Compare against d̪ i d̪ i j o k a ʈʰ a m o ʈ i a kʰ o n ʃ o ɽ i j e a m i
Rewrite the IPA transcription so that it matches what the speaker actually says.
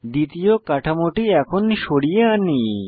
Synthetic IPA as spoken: d̪ i t̪ i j o k a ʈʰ a m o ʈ i ɛ kʰ o n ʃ o ɽ i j e a n i